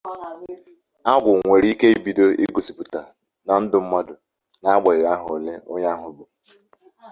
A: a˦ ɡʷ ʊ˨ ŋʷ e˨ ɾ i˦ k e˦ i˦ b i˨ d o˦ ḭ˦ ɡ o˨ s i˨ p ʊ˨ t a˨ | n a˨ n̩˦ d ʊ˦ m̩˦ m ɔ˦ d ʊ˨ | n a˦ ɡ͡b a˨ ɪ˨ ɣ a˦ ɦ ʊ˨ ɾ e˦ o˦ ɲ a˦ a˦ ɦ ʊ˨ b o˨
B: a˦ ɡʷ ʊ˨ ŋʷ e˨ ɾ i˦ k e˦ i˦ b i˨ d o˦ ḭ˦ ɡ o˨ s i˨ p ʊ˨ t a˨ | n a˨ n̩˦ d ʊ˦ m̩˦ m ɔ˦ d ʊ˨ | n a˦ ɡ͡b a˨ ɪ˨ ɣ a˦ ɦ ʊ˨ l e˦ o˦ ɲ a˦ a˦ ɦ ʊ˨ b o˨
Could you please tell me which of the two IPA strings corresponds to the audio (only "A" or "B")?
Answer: B